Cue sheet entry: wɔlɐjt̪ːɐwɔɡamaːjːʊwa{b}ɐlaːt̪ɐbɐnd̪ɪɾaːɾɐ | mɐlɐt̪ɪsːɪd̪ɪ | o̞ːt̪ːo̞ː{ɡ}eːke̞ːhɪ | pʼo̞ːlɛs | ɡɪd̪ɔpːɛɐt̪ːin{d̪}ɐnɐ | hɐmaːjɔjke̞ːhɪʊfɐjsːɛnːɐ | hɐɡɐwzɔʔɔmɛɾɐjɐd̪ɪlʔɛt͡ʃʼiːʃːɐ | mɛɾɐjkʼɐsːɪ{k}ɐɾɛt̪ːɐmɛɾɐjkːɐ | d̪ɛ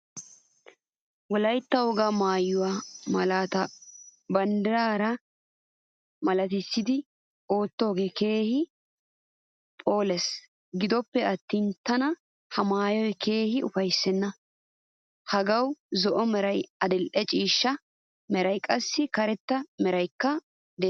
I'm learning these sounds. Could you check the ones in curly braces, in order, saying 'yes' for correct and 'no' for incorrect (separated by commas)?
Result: no, yes, no, yes